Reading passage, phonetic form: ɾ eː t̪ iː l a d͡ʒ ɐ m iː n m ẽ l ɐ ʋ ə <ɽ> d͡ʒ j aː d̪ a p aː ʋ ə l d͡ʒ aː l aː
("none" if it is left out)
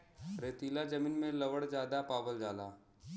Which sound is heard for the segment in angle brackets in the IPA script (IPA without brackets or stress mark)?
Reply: ɽ